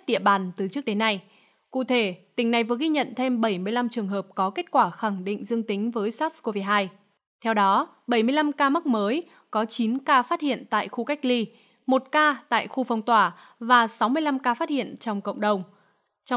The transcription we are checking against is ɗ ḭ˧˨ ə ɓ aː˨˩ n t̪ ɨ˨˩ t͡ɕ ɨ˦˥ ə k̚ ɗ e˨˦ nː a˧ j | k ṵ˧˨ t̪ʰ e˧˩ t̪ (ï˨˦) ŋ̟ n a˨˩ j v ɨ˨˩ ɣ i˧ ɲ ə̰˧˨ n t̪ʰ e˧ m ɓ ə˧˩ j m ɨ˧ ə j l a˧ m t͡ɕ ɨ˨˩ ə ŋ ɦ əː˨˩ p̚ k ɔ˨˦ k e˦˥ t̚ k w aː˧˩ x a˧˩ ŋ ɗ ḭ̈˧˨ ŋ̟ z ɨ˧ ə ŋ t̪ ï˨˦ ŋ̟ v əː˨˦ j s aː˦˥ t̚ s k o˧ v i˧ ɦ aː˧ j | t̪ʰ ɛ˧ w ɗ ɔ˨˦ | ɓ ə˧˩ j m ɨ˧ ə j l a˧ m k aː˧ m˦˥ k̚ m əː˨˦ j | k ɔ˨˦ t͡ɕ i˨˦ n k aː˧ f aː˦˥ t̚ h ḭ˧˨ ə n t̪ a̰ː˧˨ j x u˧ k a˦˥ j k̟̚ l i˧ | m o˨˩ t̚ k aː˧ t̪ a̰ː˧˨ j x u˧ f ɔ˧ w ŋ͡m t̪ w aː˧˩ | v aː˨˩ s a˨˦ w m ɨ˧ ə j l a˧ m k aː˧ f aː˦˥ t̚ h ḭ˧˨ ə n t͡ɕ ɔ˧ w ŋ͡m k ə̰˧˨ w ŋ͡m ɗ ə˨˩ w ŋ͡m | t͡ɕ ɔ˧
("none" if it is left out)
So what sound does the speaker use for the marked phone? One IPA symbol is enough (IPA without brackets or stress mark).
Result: ï˨˩